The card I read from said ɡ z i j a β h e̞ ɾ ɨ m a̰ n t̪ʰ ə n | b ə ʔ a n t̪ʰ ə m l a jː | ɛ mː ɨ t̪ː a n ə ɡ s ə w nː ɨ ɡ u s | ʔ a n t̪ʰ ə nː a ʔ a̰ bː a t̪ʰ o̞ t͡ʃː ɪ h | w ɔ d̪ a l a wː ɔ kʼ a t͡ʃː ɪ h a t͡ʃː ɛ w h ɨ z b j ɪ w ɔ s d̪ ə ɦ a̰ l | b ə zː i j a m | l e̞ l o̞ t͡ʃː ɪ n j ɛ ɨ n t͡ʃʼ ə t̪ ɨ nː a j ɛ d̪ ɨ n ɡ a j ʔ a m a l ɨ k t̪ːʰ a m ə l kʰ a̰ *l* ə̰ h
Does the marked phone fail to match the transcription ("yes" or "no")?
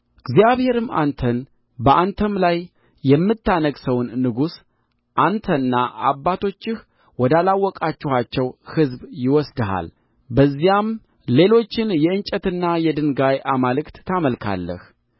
yes